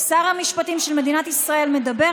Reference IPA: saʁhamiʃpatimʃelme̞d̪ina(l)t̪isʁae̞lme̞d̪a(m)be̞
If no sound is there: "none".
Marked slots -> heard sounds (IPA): none, none

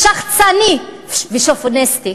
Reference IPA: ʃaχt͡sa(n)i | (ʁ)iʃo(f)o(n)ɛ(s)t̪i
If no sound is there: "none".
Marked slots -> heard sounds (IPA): n, v, f, n, s

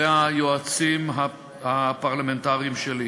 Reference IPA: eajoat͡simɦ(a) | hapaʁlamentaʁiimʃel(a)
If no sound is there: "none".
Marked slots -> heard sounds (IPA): a, i

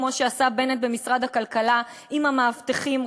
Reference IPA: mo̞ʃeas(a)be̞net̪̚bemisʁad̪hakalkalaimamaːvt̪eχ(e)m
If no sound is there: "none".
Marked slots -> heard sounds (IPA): a, i

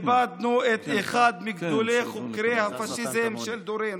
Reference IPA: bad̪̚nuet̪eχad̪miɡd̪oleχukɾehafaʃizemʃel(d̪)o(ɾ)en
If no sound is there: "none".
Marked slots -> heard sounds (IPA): d̪, ɾ

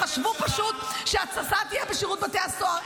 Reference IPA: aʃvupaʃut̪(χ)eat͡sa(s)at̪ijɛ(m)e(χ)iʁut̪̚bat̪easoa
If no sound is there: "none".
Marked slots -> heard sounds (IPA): ʃ, s, b, ʃ

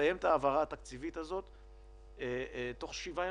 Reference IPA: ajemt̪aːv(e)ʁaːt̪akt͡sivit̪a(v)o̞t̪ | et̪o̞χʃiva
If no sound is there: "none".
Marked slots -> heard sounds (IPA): a, z

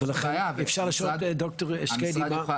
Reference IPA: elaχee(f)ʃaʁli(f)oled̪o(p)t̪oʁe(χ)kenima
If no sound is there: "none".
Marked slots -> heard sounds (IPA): f, ʃ, k, ʃ

